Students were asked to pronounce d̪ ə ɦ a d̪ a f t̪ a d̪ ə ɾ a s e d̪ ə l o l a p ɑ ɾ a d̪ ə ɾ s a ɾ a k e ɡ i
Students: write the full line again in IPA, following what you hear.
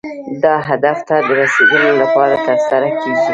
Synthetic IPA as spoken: d̪ ɑ ɦ a d̪ a f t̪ a d̪ ə ɾ a s e d̪ ə l o l a p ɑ ɾ a t̪ ə ɾ s a ɾ a k e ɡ i